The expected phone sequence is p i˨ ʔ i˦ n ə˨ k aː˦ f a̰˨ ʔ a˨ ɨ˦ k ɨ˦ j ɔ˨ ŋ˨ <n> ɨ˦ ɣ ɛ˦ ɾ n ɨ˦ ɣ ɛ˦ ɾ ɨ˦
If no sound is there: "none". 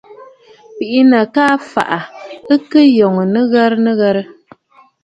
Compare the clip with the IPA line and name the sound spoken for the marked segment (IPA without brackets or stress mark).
n